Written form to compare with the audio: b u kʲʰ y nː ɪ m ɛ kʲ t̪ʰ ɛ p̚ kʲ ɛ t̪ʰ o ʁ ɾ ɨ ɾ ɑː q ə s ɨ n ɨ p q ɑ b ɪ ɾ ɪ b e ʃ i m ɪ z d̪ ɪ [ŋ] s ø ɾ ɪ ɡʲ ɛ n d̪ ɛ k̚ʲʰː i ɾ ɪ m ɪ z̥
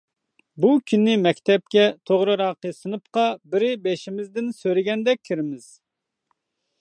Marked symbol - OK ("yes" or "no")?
no